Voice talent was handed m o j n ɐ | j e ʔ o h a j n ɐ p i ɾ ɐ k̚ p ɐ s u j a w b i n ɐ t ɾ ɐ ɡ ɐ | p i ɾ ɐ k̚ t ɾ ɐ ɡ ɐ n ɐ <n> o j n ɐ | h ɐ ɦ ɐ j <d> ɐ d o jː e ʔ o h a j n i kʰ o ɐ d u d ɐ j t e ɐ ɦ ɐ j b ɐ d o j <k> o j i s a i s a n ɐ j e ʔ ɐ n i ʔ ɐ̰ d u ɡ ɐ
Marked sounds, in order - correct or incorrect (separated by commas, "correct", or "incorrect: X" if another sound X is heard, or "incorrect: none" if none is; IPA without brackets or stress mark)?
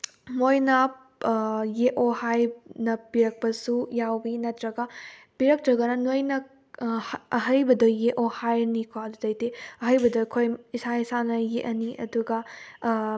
correct, incorrect: b, incorrect: kʰ